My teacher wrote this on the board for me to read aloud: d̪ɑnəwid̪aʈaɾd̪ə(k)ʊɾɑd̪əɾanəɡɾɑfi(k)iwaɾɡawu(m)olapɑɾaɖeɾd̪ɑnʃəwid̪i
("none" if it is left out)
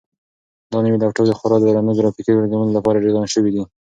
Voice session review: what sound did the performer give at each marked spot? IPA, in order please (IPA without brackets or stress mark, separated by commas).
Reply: x, k, n